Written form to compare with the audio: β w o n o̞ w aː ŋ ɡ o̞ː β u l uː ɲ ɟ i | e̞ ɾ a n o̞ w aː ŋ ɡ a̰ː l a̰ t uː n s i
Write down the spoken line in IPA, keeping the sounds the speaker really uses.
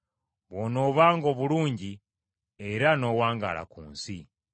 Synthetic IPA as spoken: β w o n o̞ β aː ŋ ɡ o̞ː β u l uː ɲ ɟ i | e̞ ɾ a n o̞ w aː ŋ ɡ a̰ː l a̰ k uː n s i